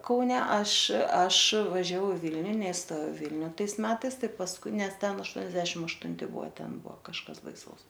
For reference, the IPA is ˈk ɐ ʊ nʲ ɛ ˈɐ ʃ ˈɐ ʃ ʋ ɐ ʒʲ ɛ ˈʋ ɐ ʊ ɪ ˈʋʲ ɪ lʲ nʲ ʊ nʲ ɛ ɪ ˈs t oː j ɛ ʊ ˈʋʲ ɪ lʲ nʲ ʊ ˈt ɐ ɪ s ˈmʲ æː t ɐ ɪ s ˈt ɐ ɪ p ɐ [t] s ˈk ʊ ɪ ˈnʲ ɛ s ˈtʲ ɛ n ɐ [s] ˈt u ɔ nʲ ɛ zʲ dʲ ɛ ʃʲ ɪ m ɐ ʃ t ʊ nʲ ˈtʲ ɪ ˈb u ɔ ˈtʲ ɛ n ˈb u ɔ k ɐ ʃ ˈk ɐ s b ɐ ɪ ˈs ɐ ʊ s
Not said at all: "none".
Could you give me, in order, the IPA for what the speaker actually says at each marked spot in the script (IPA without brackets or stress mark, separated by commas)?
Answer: none, ʃ